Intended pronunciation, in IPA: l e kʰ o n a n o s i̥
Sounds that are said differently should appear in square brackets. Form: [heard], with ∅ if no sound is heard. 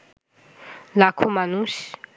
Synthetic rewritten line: l [a] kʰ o [m] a n [u] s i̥